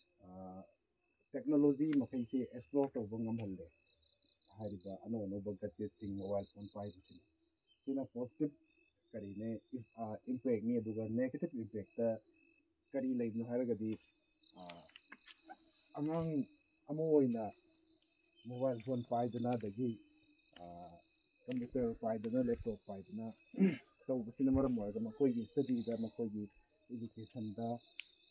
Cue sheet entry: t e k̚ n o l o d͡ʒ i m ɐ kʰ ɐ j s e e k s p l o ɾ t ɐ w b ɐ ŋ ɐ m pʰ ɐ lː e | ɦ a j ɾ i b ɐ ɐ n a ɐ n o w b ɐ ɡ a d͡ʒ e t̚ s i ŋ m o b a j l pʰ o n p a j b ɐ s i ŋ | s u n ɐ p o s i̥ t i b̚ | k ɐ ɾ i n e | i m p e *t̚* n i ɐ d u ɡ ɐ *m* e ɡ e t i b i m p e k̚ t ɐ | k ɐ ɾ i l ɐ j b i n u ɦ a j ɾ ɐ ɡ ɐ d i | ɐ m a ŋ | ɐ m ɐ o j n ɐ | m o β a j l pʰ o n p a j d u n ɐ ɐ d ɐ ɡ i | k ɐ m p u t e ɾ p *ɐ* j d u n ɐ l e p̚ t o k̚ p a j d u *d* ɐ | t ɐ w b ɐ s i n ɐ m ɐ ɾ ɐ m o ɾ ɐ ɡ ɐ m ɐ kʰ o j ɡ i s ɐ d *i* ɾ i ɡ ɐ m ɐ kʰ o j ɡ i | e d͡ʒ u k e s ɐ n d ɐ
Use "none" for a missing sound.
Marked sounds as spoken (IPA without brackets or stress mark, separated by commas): k̚, n, a, n, i